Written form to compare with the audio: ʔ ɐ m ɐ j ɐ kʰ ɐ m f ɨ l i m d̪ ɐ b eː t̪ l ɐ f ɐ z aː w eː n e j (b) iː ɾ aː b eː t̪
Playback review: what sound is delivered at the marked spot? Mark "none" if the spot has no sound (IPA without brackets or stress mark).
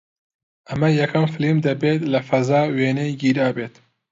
ɡ